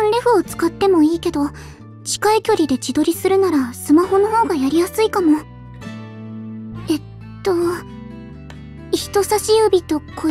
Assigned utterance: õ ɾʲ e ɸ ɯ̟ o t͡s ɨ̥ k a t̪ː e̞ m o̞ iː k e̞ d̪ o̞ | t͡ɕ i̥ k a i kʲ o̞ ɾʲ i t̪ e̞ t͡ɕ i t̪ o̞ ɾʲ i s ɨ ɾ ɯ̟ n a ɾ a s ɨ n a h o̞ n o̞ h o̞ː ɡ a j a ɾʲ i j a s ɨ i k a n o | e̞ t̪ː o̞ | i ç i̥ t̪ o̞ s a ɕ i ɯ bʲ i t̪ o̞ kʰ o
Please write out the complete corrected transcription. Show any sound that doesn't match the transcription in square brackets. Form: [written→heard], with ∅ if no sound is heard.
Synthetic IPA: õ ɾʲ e ɸ ɯ̟ o t͡s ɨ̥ k a t̪ː e̞ m o̞ iː k e̞ d̪ o̞ | t͡ɕ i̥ k a i kʲ o̞ ɾʲ i [t̪→d̪] e̞ t͡ɕ i [t̪→d̪] o̞ ɾʲ i s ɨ ɾ ɯ̟ n a ɾ a s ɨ [n→m] a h o̞ n o̞ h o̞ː ɡ a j a ɾʲ i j a s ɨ i k a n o | e̞ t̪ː o̞ | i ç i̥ t̪ o̞ s a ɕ i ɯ bʲ i t̪ o̞ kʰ o